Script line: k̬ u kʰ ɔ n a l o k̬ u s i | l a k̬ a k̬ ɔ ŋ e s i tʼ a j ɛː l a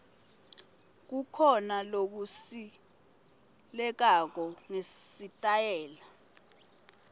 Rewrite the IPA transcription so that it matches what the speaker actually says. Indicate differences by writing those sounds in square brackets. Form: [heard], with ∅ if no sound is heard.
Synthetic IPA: k̬ u kʰ ɔ n a l o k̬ u s i | l [ɛ] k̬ a k̬ ɔ ŋ e s i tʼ a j ɛː l a